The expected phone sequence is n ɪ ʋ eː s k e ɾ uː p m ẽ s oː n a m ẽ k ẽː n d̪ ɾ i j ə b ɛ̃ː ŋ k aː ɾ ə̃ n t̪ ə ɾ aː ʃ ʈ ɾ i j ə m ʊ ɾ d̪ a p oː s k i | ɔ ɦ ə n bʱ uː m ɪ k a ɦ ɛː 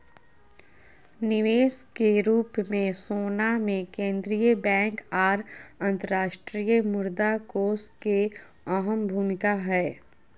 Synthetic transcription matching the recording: n ɪ ʋ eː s k e ɾ uː p m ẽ s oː n a m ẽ k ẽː n d̪ ɾ i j ə b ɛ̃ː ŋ k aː ɾ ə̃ n t̪ ə ɾ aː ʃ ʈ ɾ i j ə m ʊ ɾ d̪ a k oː s k e | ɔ ɦ ə m bʱ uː m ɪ k a ɦ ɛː